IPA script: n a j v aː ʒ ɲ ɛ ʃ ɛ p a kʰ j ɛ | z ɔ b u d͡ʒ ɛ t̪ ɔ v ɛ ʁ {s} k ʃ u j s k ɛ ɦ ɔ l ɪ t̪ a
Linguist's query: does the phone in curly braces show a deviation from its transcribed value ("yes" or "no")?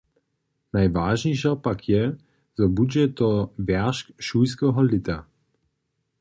yes